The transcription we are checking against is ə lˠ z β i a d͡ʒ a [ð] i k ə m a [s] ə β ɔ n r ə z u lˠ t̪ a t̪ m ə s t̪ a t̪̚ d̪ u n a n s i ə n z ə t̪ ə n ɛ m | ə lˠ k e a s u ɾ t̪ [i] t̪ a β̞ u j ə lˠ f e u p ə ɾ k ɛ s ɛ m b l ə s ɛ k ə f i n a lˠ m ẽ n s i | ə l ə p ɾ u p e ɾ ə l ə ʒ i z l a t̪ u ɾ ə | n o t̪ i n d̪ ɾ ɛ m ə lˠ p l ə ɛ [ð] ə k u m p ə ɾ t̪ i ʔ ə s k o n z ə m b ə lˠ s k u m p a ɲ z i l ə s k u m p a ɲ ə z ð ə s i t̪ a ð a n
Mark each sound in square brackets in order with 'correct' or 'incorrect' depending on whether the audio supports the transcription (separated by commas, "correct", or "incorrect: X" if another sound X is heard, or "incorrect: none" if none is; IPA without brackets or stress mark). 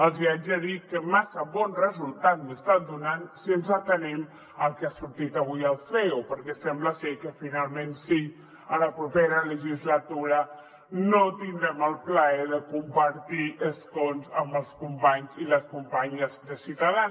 correct, correct, correct, correct